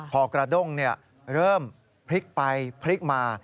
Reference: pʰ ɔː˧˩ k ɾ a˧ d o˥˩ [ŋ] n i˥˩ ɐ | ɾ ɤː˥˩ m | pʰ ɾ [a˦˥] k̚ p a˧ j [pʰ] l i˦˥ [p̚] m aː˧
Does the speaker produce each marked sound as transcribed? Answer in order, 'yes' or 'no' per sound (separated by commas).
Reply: yes, no, yes, no